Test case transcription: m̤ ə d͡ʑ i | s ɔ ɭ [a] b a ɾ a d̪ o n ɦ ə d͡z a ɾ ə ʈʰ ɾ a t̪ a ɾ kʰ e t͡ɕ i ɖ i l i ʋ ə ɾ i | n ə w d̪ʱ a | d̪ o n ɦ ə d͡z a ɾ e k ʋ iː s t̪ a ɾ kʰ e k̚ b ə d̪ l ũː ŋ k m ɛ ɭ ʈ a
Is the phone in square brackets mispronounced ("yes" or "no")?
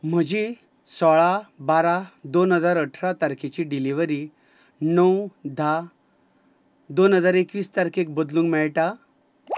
no